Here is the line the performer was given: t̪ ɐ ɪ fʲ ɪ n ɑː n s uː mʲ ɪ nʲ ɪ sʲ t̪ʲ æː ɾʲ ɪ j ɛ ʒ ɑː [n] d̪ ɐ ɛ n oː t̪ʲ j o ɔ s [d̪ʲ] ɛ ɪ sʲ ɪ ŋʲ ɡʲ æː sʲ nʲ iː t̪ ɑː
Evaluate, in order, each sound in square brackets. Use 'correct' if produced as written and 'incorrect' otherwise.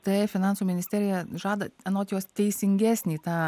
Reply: incorrect: none, incorrect: t̪ʲ

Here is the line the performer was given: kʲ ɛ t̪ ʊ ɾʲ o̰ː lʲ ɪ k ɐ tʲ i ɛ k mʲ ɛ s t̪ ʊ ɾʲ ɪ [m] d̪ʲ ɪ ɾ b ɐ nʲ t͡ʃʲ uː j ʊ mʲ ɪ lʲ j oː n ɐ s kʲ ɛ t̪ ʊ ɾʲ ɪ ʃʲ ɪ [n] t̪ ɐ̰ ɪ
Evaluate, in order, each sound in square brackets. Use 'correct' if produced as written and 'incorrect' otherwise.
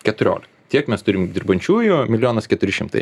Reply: correct, incorrect: m

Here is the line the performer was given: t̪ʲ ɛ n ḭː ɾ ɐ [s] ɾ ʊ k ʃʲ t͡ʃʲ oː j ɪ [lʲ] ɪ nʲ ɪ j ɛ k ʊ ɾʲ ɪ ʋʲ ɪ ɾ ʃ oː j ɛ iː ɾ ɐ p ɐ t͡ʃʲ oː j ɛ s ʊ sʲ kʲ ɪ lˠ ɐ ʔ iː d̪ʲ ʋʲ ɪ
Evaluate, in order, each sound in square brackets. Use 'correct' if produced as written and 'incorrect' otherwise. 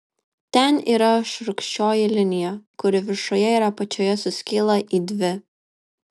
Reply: incorrect: ʃ, correct

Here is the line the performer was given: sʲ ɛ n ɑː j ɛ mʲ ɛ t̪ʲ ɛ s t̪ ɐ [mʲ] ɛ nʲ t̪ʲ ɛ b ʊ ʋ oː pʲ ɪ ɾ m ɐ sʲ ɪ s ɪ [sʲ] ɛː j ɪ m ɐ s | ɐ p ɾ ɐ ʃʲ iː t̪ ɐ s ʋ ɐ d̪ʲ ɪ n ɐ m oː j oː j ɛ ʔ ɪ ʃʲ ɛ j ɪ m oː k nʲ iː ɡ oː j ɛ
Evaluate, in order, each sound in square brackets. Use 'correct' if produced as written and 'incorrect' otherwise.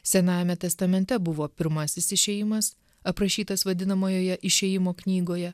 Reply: correct, incorrect: ʃʲ

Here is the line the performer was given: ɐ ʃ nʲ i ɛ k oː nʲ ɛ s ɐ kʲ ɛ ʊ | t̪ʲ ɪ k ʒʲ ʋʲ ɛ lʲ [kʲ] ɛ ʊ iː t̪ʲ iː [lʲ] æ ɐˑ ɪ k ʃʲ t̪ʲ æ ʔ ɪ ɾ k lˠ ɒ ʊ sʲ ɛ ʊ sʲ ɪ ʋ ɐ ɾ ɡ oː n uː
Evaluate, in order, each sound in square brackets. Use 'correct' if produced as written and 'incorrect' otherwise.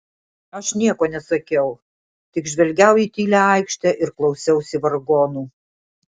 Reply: incorrect: ɡʲ, correct

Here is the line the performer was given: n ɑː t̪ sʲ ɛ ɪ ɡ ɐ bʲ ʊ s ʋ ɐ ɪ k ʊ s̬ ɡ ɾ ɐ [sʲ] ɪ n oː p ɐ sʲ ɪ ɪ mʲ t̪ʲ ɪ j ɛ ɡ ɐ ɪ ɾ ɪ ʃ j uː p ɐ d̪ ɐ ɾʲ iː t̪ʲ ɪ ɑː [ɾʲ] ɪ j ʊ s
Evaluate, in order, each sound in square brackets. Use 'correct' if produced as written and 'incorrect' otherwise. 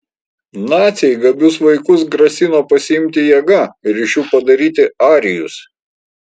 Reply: correct, correct

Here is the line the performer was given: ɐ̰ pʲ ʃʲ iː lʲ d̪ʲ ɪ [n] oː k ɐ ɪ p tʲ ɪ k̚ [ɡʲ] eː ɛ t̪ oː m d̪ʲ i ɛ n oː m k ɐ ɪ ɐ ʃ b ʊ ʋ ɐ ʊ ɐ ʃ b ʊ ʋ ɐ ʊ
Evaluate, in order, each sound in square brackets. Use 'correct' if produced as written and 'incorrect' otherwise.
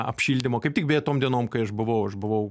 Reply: incorrect: m, incorrect: bʲ

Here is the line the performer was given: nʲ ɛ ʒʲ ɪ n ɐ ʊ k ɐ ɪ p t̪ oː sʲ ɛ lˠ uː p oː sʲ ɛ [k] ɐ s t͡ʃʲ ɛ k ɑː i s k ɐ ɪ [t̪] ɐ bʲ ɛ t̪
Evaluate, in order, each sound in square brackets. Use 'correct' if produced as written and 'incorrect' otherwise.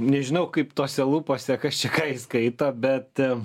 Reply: correct, correct

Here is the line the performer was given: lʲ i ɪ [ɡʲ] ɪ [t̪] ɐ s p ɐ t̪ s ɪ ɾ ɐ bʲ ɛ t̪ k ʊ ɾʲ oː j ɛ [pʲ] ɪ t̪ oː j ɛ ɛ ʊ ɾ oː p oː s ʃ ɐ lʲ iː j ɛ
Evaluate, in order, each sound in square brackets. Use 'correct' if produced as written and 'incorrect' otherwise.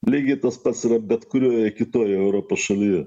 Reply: correct, correct, incorrect: kʲ

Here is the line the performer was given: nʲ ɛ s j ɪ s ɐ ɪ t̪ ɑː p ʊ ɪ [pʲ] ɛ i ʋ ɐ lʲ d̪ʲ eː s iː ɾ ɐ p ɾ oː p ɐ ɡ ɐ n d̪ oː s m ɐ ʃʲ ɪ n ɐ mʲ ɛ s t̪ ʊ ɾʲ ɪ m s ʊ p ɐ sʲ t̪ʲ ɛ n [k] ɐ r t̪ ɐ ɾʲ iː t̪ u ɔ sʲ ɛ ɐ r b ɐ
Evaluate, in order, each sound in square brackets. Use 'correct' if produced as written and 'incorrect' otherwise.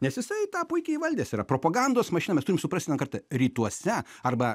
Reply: incorrect: kʲ, correct

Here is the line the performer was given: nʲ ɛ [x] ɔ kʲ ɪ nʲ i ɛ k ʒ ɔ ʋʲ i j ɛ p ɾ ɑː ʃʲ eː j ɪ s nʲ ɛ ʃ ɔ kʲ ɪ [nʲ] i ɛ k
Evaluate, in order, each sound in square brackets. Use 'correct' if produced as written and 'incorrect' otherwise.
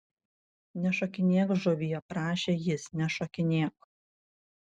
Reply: incorrect: ʃ, correct

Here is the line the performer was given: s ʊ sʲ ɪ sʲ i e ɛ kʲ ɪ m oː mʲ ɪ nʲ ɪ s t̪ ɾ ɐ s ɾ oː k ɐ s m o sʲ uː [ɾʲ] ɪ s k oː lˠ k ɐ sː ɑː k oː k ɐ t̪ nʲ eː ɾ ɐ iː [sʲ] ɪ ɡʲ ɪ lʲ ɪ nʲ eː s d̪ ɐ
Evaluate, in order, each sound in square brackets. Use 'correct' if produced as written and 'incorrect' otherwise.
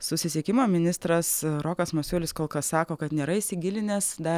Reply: incorrect: lʲ, correct

